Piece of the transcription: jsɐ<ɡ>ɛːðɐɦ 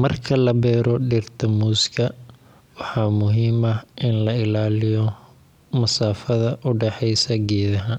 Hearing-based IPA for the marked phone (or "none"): ɡ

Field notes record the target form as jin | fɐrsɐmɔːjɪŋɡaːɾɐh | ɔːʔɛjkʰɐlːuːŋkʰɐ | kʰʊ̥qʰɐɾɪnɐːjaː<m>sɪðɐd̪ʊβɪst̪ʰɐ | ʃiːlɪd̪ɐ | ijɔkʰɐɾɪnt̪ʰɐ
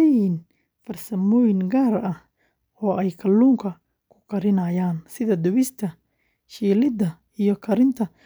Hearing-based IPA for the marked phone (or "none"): n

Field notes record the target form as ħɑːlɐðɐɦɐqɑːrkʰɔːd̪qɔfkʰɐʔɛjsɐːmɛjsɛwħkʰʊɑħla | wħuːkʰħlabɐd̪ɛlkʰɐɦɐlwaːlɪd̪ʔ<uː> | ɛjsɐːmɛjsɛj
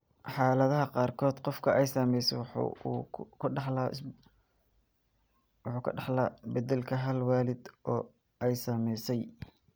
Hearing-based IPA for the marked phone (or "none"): ɔː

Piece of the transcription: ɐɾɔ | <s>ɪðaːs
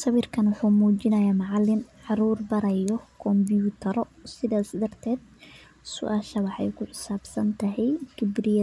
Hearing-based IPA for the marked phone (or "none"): s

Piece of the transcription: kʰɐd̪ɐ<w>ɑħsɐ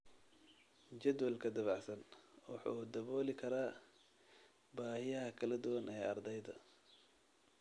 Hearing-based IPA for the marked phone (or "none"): β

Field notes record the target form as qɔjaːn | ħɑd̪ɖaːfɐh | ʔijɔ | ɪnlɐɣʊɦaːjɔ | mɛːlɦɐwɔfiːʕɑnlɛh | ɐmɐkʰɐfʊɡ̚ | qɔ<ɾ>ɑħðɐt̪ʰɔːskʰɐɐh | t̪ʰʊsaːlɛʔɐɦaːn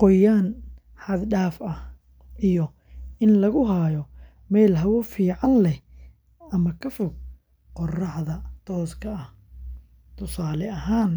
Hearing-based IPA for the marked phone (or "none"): r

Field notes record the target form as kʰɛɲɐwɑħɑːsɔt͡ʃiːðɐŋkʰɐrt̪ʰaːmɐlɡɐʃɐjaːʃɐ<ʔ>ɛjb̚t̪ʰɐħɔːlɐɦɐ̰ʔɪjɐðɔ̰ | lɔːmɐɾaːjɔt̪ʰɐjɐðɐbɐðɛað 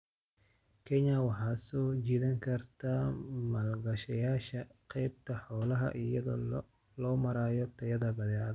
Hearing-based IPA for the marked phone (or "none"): q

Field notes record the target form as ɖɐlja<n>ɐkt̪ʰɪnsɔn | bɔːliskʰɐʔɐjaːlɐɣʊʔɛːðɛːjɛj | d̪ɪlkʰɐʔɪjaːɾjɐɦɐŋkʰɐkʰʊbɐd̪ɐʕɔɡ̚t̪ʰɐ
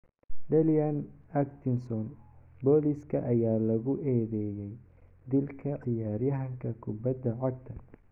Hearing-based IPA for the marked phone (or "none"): n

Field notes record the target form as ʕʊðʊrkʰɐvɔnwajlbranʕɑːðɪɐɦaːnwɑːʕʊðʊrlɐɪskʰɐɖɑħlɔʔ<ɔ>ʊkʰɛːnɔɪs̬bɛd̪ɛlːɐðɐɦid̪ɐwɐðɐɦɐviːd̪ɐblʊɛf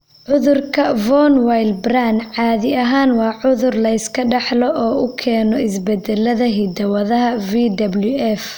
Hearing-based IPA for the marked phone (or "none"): ɔː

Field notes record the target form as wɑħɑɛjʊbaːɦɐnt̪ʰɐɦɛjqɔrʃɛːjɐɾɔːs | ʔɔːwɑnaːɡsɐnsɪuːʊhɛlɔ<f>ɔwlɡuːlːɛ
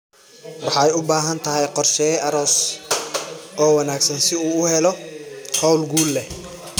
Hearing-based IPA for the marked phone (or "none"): h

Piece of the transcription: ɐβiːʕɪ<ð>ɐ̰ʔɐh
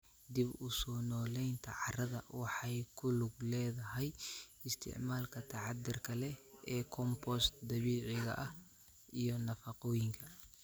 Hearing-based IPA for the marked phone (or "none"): ɣ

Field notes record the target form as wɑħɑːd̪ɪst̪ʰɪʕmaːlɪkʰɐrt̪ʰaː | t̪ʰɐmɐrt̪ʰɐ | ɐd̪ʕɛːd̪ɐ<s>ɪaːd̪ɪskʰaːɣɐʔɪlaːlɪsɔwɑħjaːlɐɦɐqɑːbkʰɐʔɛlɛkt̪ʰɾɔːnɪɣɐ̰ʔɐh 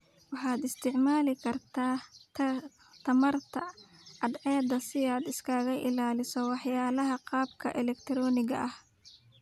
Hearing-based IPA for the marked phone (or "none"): s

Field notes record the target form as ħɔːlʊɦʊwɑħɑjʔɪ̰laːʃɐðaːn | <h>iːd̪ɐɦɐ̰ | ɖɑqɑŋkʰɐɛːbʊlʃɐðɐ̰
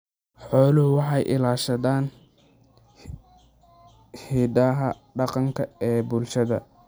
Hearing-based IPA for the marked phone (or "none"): h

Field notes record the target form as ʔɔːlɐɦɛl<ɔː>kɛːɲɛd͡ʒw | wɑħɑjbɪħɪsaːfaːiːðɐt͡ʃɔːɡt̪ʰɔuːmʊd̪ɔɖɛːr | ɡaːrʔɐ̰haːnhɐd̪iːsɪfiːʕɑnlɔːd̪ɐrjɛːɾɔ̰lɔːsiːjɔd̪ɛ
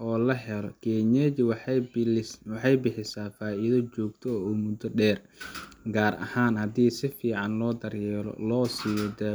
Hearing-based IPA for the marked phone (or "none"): ɔ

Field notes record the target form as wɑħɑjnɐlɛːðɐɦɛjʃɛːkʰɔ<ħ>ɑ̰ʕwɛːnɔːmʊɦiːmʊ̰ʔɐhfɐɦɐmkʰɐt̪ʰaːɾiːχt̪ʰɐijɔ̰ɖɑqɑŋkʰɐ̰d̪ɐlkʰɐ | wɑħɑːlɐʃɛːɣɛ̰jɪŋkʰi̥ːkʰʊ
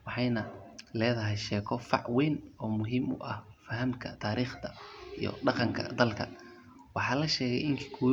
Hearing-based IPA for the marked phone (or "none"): f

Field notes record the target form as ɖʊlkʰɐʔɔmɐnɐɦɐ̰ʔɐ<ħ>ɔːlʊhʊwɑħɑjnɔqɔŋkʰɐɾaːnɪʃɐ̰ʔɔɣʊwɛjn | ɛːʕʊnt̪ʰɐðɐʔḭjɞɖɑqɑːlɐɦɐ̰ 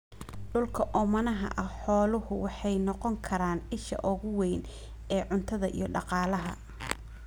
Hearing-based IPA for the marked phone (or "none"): ħ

